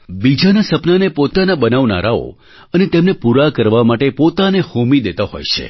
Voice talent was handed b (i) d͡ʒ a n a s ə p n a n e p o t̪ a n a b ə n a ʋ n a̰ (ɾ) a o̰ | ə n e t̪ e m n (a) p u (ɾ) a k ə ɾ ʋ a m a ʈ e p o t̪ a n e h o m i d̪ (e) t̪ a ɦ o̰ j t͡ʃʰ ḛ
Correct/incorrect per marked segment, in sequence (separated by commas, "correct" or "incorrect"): correct, correct, incorrect, correct, correct